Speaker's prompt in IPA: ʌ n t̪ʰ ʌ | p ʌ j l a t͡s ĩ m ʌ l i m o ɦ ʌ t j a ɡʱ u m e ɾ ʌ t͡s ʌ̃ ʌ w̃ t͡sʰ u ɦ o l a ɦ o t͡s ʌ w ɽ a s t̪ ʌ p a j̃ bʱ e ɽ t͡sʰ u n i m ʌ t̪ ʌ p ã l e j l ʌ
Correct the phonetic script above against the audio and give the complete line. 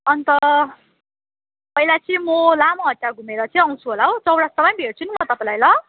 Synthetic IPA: ʌ n t̪ ʌ | p ʌ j l a t͡s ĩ m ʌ l a m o ɦ ʌ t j a ɡʱ u m e ɾ ʌ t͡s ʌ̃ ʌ w̃ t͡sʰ u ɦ o l a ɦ o t͡s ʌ w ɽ a s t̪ ʌ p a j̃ bʱ e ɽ t͡sʰ u n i m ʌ t̪ ʌ p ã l a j l ʌ